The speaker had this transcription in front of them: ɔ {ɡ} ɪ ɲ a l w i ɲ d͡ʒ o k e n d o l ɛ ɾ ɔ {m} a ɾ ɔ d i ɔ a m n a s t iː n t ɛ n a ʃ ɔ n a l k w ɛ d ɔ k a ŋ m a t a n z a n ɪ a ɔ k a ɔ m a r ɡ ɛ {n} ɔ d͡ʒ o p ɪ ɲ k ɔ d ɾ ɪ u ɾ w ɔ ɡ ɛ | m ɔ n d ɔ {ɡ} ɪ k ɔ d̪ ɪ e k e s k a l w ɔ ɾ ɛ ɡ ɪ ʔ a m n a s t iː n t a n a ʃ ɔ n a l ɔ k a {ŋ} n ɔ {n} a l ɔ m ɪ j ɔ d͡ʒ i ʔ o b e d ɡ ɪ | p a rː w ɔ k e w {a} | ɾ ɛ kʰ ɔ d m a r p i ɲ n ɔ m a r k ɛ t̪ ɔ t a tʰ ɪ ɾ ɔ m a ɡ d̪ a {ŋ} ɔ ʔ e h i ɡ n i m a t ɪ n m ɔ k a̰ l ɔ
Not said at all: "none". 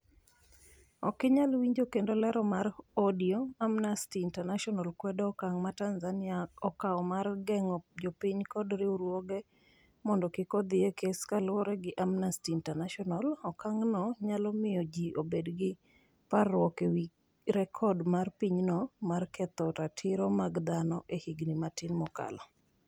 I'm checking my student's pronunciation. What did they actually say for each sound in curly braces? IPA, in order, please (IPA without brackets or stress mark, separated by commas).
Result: k, m, ŋ, k, ŋ, ɲ, i, n